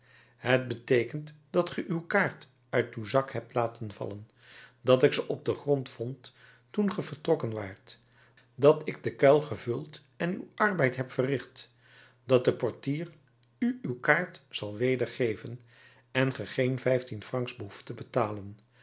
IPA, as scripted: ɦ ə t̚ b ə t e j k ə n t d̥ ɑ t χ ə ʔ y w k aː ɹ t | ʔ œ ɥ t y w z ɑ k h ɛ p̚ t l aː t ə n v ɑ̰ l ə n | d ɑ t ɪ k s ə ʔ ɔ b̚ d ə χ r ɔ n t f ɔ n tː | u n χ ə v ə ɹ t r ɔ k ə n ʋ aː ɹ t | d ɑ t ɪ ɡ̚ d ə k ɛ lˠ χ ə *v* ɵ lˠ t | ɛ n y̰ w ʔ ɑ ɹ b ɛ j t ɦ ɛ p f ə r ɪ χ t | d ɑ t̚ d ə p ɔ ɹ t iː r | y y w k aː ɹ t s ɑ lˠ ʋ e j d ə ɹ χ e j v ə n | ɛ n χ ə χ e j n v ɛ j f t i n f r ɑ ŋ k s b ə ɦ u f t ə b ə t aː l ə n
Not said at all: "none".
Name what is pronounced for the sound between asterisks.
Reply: v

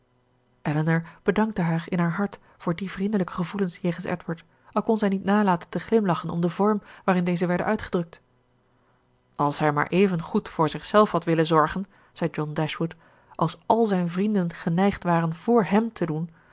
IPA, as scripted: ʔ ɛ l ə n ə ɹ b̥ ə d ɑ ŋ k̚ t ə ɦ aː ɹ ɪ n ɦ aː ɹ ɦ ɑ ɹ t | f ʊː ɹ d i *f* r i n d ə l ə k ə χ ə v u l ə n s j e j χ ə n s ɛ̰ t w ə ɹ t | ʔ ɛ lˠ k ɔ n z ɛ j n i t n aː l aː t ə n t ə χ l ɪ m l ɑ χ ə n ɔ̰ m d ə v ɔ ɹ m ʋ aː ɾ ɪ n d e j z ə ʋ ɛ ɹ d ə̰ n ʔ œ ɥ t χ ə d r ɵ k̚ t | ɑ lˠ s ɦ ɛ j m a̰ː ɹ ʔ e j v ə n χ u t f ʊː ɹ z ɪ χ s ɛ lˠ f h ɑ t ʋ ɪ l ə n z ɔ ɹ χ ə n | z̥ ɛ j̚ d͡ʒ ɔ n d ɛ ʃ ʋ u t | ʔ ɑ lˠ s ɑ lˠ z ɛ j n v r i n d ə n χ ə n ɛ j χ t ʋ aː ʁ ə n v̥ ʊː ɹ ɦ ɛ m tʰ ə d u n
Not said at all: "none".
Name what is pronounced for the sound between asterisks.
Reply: v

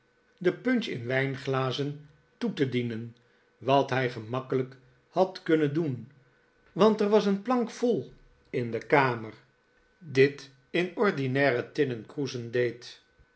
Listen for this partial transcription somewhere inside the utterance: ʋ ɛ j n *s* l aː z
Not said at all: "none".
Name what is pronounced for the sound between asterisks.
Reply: χ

